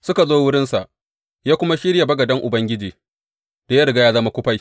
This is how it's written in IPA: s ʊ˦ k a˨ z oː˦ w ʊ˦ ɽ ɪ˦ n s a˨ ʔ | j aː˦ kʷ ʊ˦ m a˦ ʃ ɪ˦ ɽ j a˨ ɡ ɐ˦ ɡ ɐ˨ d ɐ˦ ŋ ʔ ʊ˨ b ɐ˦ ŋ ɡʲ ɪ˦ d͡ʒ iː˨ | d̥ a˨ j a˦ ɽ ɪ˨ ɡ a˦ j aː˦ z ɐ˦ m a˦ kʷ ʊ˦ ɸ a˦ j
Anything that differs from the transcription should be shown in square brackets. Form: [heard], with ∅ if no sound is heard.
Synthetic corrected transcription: s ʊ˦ k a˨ z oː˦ w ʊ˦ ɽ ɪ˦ n s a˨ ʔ | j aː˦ kʷ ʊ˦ m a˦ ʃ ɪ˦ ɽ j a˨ [b] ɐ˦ ɡ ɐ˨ d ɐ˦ ŋ ʔ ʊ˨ b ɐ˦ ŋ ɡʲ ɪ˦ d͡ʒ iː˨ | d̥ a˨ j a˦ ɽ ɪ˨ ɡ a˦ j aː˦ z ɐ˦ m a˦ kʷ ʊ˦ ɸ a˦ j